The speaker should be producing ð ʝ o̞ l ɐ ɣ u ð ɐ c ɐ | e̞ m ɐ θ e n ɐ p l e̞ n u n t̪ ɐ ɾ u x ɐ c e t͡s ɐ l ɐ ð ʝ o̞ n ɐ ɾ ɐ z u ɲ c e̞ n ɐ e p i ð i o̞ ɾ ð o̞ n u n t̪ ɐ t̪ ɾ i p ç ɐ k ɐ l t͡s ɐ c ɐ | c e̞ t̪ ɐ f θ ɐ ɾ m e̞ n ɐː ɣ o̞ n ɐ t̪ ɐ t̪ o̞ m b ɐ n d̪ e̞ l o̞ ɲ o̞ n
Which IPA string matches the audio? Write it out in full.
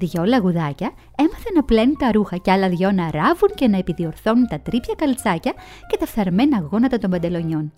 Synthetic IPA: ð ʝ o̞ l ɐ ɣ u ð ɐ c ɐ | e̞ m ɐ θ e n ɐ p l e̞ n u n t̪ ɐ ɾ u x ɐ c e ɐ l ɐ ð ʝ o̞ n ɐ ɾ ɐ v u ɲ c e̞ n ɐ e p i ð i o̞ ɾ θ o̞ n u n t̪ ɐ t̪ ɾ i p ç ɐ k ɐ l t͡s ɐ c ɐ | c e̞ t̪ ɐ f θ ɐ ɾ m e̞ n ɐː ɣ o̞ n ɐ t̪ ɐ t̪ o̞ m b ɐ n d̪ e̞ l o̞ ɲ o̞ n